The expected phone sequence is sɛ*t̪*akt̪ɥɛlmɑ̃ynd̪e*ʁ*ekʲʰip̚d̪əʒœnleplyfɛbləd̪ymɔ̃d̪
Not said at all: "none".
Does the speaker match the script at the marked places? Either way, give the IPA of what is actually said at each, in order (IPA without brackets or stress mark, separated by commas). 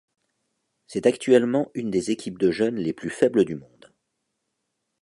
t̪, z